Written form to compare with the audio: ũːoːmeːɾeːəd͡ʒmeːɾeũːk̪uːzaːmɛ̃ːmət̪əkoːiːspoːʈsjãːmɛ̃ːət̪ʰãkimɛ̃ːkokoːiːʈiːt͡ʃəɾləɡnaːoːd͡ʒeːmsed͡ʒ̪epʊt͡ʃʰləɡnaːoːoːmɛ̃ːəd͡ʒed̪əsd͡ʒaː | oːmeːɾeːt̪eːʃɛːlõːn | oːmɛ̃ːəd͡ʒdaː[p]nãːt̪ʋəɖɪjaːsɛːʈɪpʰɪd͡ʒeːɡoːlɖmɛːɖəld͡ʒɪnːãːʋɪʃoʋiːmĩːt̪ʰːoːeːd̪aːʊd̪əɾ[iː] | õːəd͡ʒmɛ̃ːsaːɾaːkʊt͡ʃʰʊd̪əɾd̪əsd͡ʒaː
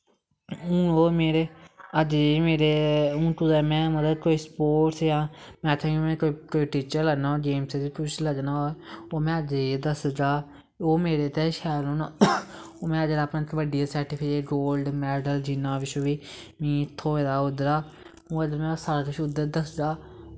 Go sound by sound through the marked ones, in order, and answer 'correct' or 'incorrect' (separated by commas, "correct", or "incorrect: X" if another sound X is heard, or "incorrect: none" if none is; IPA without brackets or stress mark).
correct, incorrect: aː